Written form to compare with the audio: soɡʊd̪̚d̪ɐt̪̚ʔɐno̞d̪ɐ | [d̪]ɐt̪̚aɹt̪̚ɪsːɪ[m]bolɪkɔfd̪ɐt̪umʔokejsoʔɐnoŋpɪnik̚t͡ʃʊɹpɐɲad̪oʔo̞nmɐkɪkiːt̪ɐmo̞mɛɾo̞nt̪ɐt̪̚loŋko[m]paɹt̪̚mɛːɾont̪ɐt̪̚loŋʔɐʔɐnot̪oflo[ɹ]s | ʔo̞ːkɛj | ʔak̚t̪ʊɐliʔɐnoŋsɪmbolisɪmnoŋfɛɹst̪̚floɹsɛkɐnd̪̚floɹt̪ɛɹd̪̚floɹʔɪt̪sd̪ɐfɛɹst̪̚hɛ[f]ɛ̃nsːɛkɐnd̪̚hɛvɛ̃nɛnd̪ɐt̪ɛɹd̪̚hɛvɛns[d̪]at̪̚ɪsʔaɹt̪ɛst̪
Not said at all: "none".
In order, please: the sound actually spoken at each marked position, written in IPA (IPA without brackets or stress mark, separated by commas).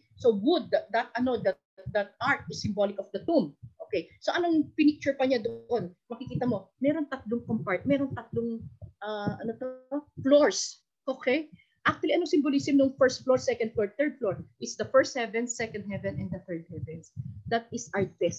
d̪, m, m, ɹ, v, d̪